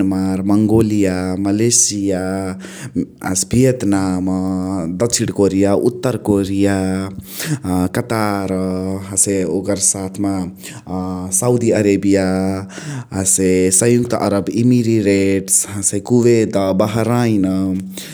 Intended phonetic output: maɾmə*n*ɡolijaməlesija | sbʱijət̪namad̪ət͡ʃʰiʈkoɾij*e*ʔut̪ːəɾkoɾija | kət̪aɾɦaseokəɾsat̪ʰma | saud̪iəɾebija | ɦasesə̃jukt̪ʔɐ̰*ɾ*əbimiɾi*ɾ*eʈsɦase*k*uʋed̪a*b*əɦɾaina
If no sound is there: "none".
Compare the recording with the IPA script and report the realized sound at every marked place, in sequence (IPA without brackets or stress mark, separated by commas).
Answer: ŋ, a, ɾ, ɾ, k, b